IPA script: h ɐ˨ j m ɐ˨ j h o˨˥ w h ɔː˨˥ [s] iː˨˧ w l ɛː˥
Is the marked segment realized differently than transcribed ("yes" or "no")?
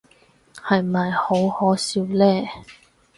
no